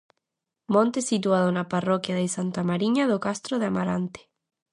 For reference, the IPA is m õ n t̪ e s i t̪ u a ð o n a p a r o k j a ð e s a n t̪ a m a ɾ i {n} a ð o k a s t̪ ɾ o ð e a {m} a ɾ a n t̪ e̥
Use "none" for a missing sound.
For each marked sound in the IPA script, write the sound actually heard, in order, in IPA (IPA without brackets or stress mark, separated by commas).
ɲ, m